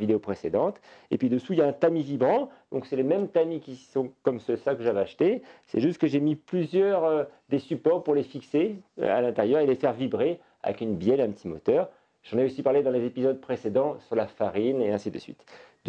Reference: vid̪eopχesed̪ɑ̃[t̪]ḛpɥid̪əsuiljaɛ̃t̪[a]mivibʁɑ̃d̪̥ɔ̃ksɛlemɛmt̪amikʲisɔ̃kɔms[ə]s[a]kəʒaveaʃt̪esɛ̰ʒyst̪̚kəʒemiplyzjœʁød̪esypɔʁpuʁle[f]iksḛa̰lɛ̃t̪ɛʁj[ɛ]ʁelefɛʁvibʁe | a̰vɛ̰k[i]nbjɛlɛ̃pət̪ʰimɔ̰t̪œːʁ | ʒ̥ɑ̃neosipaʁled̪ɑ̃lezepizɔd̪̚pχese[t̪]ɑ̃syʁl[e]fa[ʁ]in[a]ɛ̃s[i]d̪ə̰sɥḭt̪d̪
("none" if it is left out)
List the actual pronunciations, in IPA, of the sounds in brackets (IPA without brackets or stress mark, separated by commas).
t̪, a, ə, a, f, œ, y, d̪, a, ʁ, e, i